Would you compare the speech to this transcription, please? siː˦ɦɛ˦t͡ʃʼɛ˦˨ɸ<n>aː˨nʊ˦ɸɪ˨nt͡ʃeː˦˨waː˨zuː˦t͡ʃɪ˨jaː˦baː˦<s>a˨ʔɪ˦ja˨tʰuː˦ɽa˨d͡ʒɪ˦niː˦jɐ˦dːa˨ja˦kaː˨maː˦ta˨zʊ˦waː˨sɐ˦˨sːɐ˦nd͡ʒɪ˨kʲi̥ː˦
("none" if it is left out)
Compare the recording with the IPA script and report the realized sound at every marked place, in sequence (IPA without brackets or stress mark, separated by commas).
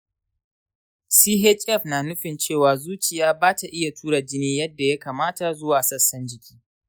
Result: n, t